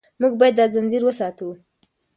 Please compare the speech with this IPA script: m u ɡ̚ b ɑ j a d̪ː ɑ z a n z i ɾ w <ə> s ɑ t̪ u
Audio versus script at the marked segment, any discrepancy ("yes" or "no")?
no